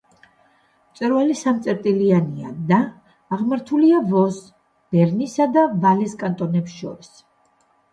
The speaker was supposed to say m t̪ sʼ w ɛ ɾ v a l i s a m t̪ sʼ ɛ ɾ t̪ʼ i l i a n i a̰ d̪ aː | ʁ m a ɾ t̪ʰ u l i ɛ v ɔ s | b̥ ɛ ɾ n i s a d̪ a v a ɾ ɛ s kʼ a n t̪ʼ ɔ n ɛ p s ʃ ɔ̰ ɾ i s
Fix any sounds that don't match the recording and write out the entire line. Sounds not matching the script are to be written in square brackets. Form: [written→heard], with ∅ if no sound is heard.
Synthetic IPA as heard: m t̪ sʼ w ɛ ɾ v a l i s a m t̪ sʼ ɛ ɾ t̪ʼ i l i a n i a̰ d̪ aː | ʁ m a ɾ t̪ʰ u l i [ɛ→a] v ɔ s | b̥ ɛ ɾ n i s a d̪ a v a [ɾ→l] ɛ s kʼ a n t̪ʼ ɔ n ɛ p s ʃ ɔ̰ ɾ i s